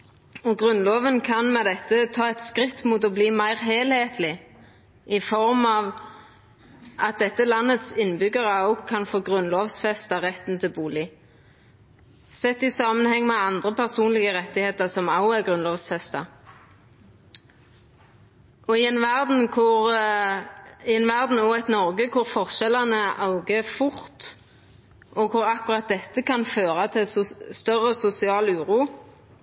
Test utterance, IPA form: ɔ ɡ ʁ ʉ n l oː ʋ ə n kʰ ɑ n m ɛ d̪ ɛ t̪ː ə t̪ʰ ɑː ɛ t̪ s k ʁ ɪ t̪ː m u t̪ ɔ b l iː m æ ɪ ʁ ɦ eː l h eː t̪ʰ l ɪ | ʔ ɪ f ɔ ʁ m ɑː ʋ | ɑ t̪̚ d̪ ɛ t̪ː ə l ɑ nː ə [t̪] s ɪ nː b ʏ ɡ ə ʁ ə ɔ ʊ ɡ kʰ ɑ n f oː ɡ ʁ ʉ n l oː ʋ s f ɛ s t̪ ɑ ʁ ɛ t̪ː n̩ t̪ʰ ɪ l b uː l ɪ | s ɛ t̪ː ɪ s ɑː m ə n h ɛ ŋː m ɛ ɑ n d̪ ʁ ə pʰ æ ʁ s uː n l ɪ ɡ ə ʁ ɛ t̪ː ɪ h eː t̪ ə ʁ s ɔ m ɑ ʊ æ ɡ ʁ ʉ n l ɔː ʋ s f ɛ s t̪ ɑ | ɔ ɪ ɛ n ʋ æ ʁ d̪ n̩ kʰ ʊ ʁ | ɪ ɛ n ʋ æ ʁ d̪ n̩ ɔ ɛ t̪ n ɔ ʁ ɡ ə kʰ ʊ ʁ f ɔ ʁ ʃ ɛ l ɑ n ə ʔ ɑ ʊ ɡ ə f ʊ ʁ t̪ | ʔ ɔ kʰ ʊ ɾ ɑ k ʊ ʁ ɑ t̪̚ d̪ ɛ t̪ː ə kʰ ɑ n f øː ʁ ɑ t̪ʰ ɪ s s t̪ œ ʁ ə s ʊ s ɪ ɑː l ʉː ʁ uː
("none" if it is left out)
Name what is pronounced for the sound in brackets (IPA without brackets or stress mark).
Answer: t̪